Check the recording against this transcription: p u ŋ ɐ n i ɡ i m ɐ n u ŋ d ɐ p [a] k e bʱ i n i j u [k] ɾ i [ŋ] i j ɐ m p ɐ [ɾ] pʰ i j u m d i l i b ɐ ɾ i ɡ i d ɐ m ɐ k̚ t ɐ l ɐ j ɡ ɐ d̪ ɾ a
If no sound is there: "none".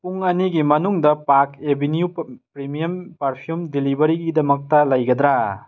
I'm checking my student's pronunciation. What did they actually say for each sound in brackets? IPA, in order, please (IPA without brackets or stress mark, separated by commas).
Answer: a, p, m, ɾ